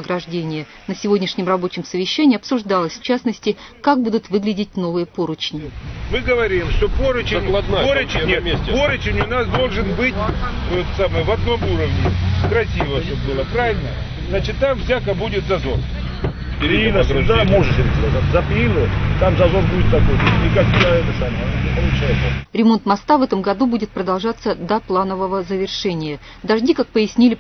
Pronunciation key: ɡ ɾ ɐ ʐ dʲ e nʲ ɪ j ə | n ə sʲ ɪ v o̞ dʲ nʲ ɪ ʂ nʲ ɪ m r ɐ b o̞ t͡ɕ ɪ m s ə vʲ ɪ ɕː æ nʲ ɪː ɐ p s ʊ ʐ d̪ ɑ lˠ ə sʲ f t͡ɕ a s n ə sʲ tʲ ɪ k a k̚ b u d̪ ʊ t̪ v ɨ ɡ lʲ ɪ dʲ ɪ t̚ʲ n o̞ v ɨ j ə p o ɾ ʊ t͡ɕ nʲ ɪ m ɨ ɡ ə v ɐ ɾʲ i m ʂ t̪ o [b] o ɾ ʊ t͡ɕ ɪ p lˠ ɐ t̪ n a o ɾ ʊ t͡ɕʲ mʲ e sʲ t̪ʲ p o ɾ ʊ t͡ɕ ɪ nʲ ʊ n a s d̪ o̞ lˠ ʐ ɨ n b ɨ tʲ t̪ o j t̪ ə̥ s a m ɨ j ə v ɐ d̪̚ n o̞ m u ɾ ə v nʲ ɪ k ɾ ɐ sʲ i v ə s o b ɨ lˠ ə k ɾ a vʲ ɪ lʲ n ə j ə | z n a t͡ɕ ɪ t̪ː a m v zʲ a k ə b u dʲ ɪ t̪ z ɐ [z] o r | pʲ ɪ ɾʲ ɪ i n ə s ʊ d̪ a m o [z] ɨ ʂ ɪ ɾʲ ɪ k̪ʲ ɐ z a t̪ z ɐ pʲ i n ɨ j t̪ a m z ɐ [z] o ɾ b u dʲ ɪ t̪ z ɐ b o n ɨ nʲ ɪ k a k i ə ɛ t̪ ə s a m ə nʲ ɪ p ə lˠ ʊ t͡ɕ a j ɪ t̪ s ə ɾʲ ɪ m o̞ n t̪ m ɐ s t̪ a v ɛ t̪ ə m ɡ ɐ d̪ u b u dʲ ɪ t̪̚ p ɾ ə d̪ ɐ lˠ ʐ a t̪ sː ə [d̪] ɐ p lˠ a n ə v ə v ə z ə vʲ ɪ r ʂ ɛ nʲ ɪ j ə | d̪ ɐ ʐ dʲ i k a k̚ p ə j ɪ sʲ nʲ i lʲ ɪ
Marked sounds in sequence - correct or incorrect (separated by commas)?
incorrect, correct, incorrect, correct, correct